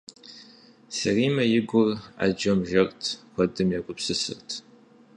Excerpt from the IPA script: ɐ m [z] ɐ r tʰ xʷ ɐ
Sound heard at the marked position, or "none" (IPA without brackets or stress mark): ʒ